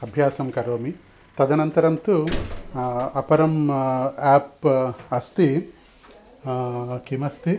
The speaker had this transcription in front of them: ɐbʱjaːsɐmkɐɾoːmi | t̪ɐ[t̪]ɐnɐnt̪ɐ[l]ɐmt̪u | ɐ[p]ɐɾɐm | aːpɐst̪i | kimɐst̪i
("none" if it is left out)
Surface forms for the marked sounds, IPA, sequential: d̪, ɾ, p

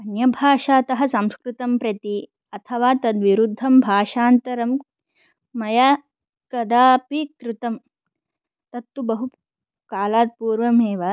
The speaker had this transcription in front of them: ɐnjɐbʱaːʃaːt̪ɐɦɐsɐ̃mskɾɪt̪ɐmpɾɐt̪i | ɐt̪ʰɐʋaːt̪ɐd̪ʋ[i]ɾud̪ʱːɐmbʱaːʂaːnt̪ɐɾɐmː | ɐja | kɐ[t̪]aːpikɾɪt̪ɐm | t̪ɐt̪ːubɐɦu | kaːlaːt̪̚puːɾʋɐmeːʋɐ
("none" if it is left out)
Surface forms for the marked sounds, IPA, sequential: i, d̪

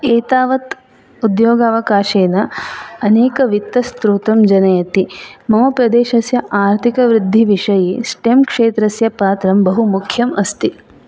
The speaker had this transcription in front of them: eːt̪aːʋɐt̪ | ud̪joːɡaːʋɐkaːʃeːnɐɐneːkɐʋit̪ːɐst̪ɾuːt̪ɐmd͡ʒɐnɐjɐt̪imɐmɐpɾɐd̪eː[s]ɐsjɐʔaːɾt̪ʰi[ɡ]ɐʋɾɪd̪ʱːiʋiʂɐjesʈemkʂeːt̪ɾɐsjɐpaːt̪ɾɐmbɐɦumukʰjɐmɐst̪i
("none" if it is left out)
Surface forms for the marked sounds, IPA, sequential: ʃ, k

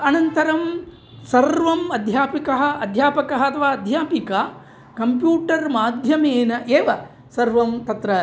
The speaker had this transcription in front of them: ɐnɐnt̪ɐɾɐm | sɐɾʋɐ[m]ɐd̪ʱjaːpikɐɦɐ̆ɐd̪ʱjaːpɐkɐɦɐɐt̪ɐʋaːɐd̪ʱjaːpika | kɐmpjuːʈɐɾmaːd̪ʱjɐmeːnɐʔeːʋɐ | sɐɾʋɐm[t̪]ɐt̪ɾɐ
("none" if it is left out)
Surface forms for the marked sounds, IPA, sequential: m, t̪

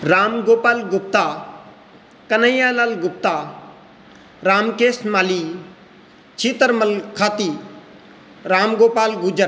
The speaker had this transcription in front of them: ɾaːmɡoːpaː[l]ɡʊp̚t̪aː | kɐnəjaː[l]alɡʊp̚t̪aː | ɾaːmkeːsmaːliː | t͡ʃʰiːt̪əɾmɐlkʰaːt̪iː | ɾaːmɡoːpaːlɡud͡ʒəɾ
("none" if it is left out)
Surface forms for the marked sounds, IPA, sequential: l, l

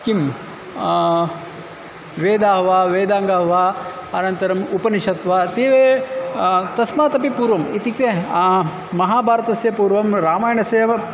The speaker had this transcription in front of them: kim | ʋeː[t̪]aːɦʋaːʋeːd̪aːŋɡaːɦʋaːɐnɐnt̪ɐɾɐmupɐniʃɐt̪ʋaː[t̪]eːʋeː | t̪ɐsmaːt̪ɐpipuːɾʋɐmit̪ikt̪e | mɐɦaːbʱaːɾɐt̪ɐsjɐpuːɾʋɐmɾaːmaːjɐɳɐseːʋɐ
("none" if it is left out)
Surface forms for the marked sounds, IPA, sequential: d̪, t̪

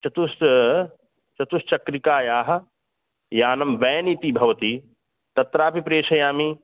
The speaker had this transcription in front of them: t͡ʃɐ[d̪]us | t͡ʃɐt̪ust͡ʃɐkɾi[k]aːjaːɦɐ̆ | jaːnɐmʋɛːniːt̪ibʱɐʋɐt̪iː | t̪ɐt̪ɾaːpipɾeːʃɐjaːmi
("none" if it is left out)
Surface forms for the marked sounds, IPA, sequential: t̪, k

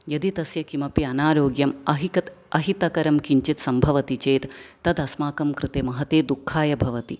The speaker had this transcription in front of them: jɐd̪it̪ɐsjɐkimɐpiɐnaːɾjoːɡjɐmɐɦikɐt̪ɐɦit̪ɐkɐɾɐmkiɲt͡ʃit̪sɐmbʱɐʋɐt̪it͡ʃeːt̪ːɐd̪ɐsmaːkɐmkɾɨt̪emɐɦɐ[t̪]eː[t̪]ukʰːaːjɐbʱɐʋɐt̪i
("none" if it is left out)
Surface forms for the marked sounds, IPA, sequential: t̪, d̪

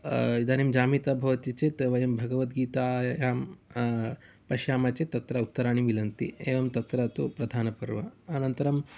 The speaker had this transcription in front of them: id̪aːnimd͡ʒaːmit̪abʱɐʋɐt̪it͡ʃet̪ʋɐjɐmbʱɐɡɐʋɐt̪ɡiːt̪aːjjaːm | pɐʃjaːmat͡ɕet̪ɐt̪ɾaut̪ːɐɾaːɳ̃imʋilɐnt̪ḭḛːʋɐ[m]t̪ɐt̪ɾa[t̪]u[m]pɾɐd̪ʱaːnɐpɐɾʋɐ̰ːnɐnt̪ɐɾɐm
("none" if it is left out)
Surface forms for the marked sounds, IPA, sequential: m, t̪, none

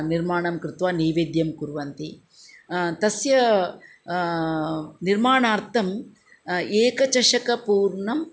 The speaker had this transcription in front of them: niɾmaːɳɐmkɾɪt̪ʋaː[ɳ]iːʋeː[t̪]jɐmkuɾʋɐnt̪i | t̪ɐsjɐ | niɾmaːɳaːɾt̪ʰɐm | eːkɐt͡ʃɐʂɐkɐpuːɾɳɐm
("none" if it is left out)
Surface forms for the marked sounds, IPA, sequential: n, d̪

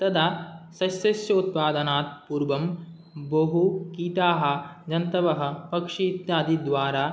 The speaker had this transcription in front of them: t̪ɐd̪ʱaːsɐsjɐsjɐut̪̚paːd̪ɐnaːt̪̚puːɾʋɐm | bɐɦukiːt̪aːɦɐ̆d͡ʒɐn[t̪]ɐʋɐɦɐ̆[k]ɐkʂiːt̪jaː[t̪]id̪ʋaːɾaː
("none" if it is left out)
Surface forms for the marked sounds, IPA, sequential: t̪, p, d̪

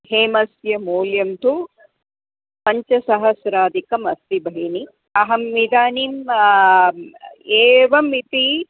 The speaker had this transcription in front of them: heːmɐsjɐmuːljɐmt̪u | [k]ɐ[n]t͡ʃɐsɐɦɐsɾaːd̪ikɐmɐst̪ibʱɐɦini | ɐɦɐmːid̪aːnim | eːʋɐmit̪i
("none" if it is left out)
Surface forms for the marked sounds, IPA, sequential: p, ɲ

